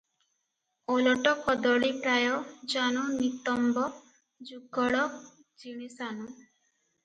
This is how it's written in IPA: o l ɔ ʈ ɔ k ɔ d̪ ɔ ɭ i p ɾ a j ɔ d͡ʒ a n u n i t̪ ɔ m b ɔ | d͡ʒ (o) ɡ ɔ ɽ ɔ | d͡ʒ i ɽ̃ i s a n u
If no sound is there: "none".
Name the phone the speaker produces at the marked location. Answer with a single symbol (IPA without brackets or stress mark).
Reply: u